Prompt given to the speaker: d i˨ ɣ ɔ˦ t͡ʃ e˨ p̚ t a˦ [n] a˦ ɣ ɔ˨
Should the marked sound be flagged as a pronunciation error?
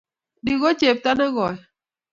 no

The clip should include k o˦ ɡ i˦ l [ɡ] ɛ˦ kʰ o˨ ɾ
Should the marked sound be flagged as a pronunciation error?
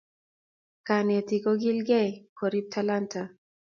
no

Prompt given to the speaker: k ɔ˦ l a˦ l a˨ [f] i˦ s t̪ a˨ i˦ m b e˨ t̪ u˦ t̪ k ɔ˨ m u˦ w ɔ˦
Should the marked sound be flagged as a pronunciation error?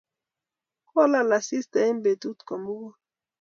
yes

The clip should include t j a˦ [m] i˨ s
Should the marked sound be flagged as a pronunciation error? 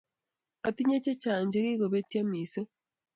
no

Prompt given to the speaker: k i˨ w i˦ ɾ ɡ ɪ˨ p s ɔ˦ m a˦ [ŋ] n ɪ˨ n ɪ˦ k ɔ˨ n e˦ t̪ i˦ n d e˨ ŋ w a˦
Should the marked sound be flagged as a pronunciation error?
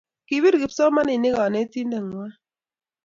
yes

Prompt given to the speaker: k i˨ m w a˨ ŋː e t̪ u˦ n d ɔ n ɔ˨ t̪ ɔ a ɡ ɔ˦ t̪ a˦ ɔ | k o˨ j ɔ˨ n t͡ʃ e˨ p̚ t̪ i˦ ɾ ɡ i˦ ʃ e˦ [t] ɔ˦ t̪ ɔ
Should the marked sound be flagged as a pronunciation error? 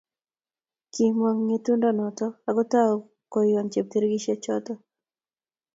yes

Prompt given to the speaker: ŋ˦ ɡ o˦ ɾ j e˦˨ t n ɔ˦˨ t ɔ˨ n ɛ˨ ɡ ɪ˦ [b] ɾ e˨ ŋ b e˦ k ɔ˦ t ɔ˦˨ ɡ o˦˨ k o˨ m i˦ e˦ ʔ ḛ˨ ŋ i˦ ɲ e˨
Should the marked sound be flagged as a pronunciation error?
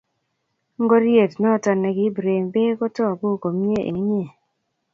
no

